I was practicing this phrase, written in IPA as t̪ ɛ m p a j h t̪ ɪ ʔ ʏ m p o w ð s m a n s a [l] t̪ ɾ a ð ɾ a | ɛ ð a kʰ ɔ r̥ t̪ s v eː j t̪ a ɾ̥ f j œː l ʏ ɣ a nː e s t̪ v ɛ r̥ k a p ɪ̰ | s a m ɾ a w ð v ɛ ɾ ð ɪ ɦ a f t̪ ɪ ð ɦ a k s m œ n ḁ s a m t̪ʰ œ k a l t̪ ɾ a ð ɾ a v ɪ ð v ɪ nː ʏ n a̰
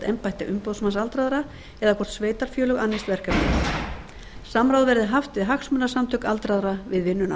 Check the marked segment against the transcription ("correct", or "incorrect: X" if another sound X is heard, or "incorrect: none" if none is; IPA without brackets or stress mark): correct